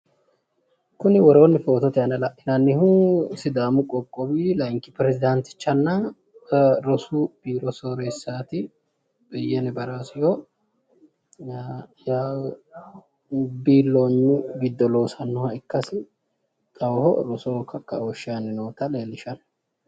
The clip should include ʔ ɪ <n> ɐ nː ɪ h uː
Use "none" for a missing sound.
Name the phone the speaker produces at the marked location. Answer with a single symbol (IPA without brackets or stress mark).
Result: n